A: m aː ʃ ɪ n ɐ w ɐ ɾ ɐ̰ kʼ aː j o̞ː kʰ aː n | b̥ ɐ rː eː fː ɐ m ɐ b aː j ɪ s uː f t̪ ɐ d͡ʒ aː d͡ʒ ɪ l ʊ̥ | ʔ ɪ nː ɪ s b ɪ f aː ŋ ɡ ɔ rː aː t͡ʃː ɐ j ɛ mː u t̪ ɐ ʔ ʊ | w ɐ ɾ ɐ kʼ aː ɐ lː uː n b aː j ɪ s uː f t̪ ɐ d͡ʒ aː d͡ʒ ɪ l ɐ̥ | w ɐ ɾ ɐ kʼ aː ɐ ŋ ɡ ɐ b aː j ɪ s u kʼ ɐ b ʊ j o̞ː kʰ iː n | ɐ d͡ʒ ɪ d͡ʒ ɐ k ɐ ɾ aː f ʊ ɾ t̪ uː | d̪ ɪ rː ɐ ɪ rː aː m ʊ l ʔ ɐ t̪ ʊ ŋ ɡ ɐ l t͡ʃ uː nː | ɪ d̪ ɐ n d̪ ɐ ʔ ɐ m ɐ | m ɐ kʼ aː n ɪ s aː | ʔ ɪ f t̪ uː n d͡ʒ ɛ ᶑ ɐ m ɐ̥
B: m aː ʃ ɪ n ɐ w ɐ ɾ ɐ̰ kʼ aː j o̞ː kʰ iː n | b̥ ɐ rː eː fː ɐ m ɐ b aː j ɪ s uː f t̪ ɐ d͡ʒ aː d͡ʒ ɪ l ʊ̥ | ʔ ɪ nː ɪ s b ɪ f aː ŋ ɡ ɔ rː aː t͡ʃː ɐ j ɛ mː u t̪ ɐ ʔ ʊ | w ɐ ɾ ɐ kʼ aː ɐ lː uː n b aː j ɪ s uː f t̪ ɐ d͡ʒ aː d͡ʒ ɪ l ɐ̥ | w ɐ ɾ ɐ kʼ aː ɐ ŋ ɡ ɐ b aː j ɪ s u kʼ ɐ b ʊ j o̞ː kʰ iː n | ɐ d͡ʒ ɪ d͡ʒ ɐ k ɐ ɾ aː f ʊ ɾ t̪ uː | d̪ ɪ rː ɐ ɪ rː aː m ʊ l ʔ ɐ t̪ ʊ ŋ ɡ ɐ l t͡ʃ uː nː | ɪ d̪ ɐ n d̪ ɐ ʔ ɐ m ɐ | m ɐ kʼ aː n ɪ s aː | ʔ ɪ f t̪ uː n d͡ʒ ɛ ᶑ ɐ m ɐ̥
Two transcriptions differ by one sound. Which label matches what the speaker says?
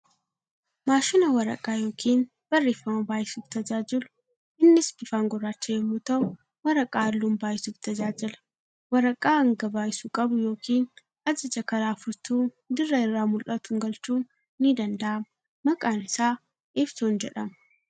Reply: B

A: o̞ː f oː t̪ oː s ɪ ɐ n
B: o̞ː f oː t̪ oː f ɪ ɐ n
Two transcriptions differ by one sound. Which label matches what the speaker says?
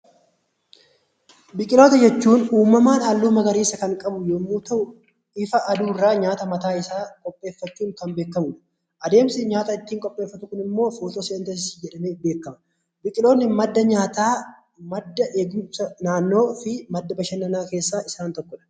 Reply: A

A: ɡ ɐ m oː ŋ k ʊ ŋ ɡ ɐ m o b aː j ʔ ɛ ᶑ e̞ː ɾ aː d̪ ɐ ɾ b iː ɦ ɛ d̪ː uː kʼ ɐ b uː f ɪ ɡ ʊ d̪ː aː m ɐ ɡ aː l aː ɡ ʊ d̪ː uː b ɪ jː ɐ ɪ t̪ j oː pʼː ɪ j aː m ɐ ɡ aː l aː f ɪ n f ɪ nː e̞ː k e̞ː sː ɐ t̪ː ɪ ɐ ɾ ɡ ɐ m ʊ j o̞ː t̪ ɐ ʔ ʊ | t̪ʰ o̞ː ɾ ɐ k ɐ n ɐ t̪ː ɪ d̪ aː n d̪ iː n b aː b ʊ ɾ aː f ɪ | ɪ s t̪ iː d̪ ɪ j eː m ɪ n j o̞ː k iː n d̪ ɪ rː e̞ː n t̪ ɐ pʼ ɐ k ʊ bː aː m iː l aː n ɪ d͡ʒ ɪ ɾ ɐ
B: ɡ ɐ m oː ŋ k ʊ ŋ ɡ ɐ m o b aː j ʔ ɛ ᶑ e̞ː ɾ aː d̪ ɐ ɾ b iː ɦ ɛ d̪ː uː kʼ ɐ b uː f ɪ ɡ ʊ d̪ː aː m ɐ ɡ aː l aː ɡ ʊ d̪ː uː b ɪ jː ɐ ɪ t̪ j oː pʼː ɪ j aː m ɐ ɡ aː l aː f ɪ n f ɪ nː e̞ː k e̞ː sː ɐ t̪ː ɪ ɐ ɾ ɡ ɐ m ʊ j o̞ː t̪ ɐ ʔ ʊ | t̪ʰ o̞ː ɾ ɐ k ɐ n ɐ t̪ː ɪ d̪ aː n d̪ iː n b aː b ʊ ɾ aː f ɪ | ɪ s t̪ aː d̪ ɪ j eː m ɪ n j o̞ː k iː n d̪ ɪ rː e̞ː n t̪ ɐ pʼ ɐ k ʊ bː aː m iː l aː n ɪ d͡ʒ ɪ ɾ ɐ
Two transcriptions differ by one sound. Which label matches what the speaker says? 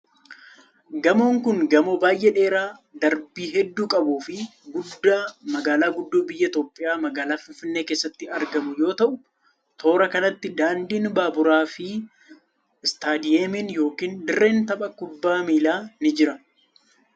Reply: B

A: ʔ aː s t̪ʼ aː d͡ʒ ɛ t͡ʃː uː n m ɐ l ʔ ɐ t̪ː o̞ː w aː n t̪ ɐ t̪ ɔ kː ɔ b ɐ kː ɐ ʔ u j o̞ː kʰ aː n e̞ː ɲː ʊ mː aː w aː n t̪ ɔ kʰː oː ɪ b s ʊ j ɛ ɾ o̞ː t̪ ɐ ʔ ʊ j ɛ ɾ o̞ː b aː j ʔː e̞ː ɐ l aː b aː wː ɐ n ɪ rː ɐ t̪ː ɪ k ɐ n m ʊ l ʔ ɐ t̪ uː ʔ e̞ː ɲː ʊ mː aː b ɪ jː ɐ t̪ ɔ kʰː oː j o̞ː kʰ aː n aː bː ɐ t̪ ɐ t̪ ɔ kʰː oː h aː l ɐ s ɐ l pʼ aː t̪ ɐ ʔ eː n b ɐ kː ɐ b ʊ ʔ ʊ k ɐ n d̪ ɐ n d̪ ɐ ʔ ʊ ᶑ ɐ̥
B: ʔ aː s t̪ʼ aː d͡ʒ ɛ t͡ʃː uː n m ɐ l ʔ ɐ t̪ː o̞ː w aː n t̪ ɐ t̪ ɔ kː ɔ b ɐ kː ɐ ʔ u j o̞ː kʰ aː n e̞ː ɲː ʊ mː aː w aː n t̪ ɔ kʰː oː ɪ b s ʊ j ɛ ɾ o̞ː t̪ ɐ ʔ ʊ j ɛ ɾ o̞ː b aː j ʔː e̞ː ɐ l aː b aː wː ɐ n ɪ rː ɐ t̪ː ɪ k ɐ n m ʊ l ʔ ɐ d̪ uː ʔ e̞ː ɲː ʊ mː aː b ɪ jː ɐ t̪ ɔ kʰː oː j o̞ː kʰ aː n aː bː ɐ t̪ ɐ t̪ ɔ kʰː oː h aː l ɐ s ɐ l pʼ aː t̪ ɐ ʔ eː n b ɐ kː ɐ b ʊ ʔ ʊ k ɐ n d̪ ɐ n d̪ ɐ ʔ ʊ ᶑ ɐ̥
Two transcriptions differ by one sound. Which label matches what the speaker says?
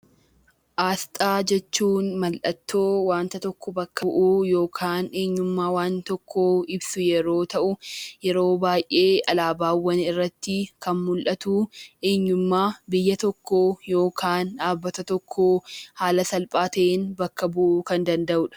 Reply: A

